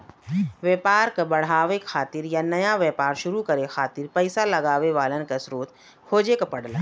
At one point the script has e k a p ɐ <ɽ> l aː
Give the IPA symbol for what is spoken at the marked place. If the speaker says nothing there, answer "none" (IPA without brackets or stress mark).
ɽ